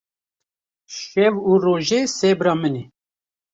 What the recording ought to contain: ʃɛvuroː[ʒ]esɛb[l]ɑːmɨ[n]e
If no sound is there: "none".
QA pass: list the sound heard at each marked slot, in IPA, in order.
ʒ, ɾ, n

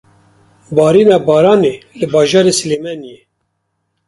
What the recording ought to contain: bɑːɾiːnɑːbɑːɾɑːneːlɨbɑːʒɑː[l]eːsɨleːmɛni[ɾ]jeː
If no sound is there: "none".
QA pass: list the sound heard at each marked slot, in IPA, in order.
ɾ, none

